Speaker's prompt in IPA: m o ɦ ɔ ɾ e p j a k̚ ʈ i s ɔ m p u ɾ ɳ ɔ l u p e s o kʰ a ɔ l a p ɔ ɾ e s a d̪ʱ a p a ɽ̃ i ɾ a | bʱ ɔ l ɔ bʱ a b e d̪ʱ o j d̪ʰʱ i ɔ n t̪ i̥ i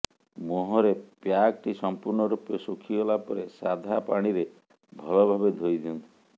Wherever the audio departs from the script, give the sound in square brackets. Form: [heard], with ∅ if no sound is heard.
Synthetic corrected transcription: m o ɦ ɔ ɾ e p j a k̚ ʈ i s ɔ m p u ɾ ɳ ɔ [ɾ] u p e s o kʰ [i] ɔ l a p ɔ ɾ e s a d̪ʱ a p a ɽ̃ i ɾ [e] | bʱ ɔ l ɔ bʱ a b e d̪ʱ o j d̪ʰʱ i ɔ n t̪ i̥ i